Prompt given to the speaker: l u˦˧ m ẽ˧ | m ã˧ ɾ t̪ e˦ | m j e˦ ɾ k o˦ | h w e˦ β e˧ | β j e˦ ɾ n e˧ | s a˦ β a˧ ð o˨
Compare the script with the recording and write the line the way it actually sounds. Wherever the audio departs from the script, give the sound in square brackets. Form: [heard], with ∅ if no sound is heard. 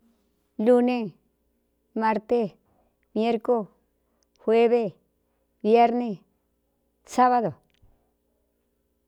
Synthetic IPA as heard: l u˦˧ [n] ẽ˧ | m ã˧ ɾ t̪ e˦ | m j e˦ ɾ k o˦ | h w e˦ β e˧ | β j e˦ ɾ n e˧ | s a˦ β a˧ ð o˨